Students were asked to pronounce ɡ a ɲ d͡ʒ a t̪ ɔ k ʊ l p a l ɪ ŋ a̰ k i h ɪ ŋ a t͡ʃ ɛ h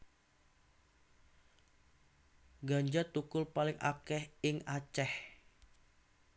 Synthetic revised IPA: ɡ a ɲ d͡ʒ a t̪ u k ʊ l p a l ɪ ŋ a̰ k ɛ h ɪ ŋ a t͡ʃ ɛ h

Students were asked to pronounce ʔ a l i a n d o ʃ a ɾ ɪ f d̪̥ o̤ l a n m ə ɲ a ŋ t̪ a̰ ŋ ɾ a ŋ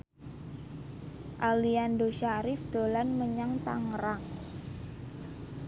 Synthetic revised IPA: ʔ a l i a n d o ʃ a ɾ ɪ f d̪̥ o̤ l a n m ə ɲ a ŋ t̪ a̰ ŋ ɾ a ŋ

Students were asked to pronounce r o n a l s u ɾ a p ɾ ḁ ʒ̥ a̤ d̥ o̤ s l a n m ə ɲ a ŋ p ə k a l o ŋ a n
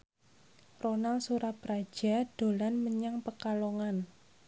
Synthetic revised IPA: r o n a l s u ɾ a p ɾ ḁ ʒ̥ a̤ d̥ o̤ l a n m ə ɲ a ŋ p ə k a l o ŋ a n

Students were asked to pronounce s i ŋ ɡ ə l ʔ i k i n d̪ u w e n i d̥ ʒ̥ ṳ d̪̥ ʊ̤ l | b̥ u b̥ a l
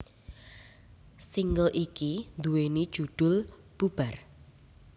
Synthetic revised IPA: s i ŋ ɡ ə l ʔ i k i n d̪ u w e n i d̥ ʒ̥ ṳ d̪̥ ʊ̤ l | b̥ u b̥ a r

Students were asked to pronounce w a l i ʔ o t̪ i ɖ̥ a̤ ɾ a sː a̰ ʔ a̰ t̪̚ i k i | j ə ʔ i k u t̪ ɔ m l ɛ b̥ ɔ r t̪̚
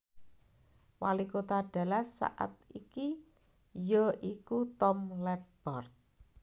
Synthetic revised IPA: w a l i k o t̪ a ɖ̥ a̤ l a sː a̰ ʔ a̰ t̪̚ i k i | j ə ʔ i k u t̪ ɔ m l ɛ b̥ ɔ r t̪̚

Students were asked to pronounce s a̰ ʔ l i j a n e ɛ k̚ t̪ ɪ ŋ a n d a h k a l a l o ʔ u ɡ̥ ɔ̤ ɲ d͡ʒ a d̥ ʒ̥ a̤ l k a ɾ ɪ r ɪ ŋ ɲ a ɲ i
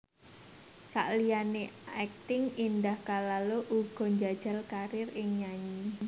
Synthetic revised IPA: s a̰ ʔ l i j a n e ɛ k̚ t̪ ɪ ŋ i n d a h k a l a l o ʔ u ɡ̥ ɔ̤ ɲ d͡ʒ a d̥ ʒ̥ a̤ l k a ɾ ɪ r ɪ ŋ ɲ a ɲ i

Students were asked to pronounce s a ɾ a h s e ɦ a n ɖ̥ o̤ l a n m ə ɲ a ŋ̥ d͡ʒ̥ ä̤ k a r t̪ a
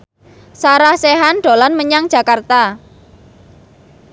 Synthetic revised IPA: s a ɾ a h s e ɦ a n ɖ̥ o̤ l a n m ə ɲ a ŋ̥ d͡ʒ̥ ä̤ k a r t̪ a

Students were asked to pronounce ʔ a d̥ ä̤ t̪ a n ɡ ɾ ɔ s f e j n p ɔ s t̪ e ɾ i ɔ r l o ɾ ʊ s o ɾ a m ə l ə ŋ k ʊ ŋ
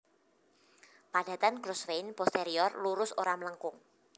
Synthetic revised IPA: p a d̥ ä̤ t̪ a n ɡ ɾ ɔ s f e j n p ɔ s t̪ e ɾ i ɔ r l u ɾ ʊ s o ɾ a m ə l ə ŋ k ʊ ŋ

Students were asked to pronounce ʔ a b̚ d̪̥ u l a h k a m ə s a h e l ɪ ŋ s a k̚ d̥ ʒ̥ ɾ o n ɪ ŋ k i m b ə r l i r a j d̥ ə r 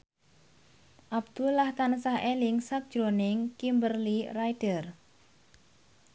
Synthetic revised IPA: ʔ a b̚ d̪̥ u l a h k a n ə s a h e l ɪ ŋ s a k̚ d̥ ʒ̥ ɾ o n ɪ ŋ k i m b ə r l i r a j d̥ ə r

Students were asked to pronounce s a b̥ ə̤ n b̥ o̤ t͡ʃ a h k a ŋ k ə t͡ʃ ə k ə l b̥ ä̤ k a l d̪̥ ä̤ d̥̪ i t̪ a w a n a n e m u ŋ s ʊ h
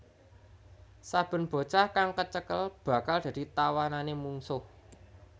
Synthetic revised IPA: s a b̥ ə̤ n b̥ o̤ t͡ʃ a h k a ŋ k ə t͡ʃ ə k ə l b̥ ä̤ k a l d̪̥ ä̤ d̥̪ i t̪ a w a n a n e m u ŋ s ʊ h

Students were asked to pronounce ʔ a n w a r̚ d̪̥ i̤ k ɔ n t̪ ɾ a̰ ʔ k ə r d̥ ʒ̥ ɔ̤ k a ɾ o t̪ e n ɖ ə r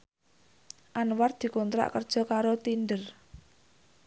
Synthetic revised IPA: ʔ a n w a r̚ d̪̥ i̤ k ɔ n t̪ ɾ a̰ ʔ k ə r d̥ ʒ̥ ɔ̤ k a ɾ o t̪ i n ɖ ə r

